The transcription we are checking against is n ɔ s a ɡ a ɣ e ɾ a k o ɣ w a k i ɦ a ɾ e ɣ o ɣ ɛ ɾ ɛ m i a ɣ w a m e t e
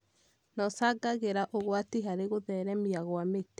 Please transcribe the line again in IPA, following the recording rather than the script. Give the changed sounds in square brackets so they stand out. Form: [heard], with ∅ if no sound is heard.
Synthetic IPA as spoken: n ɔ s a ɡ a ɣ e ɾ a [ʔ] o ɣ w a [t] i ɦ a ɾ e ɣ o [ð] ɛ ɾ ɛ m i a ɣ w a m e t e

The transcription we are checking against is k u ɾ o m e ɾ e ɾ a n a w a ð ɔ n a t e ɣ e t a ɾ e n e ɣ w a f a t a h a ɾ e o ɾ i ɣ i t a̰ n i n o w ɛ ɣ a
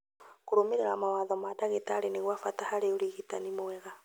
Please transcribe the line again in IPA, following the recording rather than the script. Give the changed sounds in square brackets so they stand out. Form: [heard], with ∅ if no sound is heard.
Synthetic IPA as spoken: k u ɾ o m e ɾ e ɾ a [m] a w a ð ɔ [m] a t [a] ɣ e t a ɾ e n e ɣ w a f a t a h a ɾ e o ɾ i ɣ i t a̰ n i [m] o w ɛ ɣ a

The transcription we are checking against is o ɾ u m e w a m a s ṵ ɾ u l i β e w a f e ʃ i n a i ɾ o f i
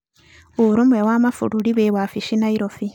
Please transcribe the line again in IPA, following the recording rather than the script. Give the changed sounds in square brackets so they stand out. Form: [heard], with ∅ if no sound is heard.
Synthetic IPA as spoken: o ɾ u m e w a m a [f] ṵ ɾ u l i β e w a f [i] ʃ i n a i ɾ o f i

